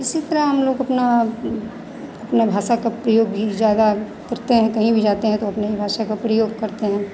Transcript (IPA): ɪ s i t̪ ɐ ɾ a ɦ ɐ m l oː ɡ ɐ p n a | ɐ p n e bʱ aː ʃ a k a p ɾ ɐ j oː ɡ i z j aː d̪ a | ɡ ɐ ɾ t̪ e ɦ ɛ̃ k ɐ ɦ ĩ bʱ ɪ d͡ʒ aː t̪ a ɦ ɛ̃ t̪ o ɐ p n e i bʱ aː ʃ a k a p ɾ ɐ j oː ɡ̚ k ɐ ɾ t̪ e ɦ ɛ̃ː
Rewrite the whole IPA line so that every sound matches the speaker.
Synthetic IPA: ɪ s i t̪ ɐ ɾ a ɦ ɐ m l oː ɡ ɐ p n a | ɐ p n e bʱ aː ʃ a k a p ɾ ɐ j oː ɡ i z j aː d̪ a | k ɐ ɾ t̪ e ɦ ɛ̃ k ɐ ɦ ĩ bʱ i d͡ʒ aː t̪ e ɦ ɛ̃ t̪ o ɐ p n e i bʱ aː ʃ a k a p ɾ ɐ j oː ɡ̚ k ɐ ɾ t̪ e ɦ ɛ̃ː